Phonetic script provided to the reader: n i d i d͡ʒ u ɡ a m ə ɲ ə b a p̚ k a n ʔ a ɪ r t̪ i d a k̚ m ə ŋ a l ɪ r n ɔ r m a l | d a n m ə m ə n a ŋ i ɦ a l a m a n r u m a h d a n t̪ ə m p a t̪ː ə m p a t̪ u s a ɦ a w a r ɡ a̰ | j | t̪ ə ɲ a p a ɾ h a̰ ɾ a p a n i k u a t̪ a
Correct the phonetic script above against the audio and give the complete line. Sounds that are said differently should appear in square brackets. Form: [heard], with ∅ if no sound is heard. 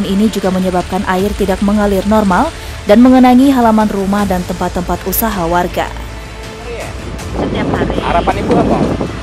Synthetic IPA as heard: n i [n] i d͡ʒ u ɡ a m ə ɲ ə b a p̚ k a n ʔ a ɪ r t̪ i d a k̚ m ə ŋ a l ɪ r n ɔ r m a l | d a n m ə [ŋ] ə n a ŋ i ɦ a l a m a n r u m a h d a n t̪ ə m p a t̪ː ə m p a t̪ u s a ɦ a w a r ɡ a̰ | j | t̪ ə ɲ a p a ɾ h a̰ ɾ a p a n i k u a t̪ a

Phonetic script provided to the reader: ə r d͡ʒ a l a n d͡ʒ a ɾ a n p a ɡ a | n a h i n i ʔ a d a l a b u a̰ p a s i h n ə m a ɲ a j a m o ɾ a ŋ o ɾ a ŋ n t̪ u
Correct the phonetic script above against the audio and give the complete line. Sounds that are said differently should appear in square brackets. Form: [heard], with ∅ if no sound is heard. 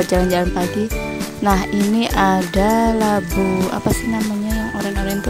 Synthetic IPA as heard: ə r d͡ʒ a l a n d͡ʒ a [l] a n p a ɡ [i] | n a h i n i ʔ a d a l a b u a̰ p a s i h n [a] m a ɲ a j a [ŋ] o ɾ a ŋ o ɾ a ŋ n t̪ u

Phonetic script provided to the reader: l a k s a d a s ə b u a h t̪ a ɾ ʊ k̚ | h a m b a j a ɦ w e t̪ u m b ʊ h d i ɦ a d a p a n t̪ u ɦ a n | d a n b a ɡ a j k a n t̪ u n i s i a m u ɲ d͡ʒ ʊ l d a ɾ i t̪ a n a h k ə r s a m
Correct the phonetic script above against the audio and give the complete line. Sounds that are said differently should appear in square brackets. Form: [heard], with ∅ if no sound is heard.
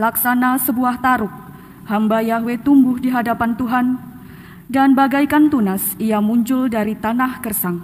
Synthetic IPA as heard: l a k s a [n] a s ə b u a h t̪ a ɾ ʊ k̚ | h a m b a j a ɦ w e t̪ u m b ʊ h d i ɦ a d a p a n t̪ u ɦ a n | d a n b a ɡ a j k a n t̪ u n [a] s i a m u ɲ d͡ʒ ʊ l d a ɾ i t̪ a n a h k ə r s a [ŋ]

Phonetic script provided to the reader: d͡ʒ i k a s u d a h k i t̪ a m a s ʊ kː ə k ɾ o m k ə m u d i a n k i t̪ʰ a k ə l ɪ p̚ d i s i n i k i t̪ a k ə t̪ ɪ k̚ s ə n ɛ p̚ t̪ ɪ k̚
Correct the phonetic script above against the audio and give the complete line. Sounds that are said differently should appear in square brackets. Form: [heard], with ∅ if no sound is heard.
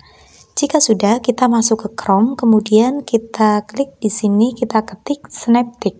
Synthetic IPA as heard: d͡ʒ i k a s u d a h k i t̪ a m a s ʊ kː ə k ɾ [ɔ] m k ə m u d i a n k i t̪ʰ a k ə l ɪ [k̚] d i s i n i k i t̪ a k ə t̪ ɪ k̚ s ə n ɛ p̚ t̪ ɪ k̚

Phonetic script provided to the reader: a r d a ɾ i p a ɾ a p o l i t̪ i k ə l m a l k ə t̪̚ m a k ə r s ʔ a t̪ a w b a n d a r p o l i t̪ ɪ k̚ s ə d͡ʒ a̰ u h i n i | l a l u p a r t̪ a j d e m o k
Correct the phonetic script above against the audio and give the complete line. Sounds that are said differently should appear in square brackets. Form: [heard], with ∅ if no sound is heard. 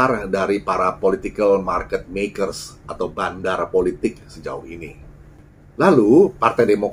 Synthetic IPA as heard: a r d a ɾ i p a ɾ a p o l i t̪ i k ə l m a [r] k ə t̪̚ m [e] k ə r s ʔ a t̪ a w b a n d a r p o l i t̪ ɪ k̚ s ə d͡ʒ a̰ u h i n i | l a l u p a r t̪ a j d e m o k

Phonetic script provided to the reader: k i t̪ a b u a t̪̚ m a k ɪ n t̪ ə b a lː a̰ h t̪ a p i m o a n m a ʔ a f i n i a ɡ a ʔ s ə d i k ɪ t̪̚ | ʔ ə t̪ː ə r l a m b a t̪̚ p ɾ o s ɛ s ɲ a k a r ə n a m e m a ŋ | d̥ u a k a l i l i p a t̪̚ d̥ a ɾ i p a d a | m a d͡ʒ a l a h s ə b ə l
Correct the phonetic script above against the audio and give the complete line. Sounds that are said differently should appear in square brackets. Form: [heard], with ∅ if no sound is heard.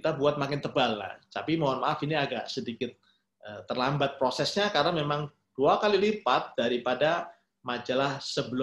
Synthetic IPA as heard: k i t̪ a b u a t̪̚ m a k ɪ n t̪ ə b a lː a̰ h t̪ a p i m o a n m a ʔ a f i n i a ɡ a ʔ s ə d i k ɪ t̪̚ | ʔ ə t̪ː ə r l a m b a t̪̚ p ɾ o s ɛ s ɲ a k a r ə n a m e m a ŋ | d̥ u a k a l i l i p a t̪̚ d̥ a ɾ i p a d a | m a d͡ʒ a l a h s ə b ə l

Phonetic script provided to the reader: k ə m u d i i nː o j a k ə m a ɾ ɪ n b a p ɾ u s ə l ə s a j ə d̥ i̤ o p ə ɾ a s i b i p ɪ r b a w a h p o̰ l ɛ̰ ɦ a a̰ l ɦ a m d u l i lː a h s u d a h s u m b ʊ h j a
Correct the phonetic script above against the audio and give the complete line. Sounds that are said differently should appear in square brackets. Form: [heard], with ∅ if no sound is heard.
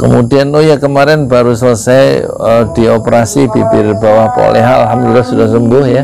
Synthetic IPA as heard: k ə m u d i [a] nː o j a k ə m a ɾ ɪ n b a [∅] ɾ u s ə l ə s a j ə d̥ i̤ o p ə ɾ a s i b i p ɪ r b a w a h p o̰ l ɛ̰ ɦ a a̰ l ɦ a m d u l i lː a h s u d a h s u m b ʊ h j a

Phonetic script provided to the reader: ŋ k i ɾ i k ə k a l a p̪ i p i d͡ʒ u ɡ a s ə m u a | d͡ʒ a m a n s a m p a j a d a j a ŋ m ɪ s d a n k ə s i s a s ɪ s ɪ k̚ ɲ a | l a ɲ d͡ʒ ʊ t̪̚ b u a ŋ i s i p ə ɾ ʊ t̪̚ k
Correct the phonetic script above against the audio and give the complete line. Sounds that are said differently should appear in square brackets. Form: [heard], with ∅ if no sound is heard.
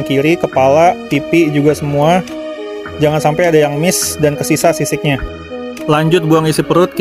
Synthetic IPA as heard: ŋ k i ɾ i k ə [p] a l a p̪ i p i d͡ʒ u ɡ a s ə m u a | d͡ʒ a [ŋ] a n s a m p a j a d a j a ŋ m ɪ s d a n k ə s i s a s [i] s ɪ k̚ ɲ a | l a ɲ d͡ʒ ʊ t̪̚ b u a ŋ i s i p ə ɾ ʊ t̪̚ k

